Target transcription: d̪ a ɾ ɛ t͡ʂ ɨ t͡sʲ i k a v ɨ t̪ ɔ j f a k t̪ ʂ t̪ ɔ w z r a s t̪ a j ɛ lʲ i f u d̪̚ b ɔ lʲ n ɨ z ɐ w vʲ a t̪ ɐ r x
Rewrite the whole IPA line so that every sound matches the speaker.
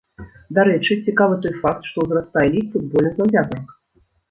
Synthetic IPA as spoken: d̪ a ɾ ɛ t͡ʂ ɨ t͡sʲ i k a v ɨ t̪ ɔ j f a k t̪ ʂ t̪ ɔ w z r a s t̪ a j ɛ lʲ i f u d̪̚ b ɔ lʲ n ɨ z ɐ w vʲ a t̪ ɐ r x